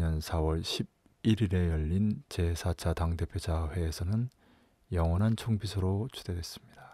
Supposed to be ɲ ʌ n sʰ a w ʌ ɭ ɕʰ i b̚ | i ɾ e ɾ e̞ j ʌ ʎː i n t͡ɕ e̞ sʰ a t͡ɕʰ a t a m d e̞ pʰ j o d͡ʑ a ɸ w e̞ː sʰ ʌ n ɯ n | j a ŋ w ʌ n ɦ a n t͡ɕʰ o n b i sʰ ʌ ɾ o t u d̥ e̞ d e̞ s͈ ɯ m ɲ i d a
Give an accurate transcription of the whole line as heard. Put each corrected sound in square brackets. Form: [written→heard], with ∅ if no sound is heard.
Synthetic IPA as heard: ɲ ʌ n sʰ a w ʌ ɭ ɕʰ i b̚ | i ɾ [e→i] ɾ e̞ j ʌ ʎː i n t͡ɕ e̞ sʰ a t͡ɕʰ a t a [m→ŋ] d e̞ pʰ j o d͡ʑ a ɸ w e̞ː sʰ ʌ n ɯ n | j [a→ʌ] ŋ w ʌ n ɦ a n t͡ɕʰ o [n→ŋ] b i sʰ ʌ ɾ o [t→t͡ɕʰ] u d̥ e̞ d e̞ s͈ ɯ m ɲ i d a